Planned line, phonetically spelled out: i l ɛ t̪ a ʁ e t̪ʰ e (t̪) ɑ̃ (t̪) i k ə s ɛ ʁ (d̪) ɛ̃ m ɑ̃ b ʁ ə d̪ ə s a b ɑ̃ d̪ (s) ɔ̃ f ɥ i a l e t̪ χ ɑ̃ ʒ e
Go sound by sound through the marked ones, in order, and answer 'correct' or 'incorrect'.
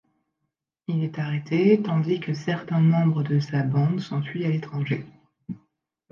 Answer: correct, incorrect, incorrect, correct

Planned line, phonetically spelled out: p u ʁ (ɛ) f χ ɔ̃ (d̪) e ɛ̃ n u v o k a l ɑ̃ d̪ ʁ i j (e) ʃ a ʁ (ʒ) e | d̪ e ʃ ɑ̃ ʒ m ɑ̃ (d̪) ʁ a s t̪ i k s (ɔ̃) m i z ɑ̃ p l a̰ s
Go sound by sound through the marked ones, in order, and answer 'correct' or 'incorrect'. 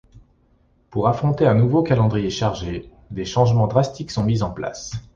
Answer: incorrect, incorrect, correct, correct, correct, correct

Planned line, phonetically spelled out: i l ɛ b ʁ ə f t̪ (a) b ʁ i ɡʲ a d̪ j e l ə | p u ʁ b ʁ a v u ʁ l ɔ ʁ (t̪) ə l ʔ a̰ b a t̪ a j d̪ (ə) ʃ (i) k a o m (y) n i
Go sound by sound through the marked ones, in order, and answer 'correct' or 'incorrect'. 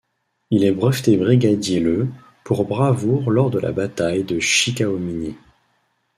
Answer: incorrect, incorrect, correct, correct, incorrect

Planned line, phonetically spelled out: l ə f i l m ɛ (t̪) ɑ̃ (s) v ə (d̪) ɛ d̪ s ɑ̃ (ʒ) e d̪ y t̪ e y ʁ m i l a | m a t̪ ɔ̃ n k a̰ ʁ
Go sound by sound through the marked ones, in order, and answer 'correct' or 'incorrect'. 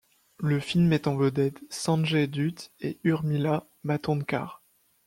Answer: correct, incorrect, correct, correct

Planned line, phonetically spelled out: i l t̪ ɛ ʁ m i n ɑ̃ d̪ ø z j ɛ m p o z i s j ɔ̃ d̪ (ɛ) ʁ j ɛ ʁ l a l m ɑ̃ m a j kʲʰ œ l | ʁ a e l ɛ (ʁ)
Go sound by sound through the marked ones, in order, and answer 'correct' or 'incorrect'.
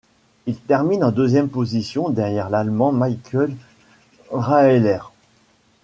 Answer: correct, correct

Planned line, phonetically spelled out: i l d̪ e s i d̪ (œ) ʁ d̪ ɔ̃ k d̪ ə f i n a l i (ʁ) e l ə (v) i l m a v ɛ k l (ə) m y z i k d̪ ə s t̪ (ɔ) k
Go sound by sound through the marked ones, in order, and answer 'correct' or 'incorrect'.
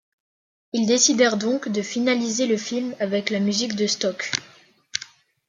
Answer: incorrect, incorrect, incorrect, incorrect, correct

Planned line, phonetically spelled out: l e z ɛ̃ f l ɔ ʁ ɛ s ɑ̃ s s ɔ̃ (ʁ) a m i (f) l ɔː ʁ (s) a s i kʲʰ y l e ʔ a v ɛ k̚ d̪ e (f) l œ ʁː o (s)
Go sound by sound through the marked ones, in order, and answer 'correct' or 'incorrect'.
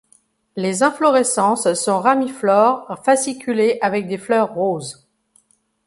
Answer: correct, correct, incorrect, correct, incorrect

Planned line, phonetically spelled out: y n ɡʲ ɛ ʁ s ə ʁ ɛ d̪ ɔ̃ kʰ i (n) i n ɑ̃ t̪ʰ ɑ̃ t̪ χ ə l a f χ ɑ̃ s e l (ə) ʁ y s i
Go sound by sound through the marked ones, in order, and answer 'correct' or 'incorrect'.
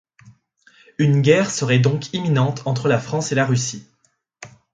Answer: incorrect, incorrect

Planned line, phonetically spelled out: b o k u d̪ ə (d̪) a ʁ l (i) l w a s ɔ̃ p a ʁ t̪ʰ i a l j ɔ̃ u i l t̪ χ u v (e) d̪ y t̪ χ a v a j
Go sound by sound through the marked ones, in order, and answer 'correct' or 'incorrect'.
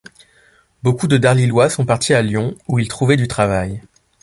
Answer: correct, correct, incorrect

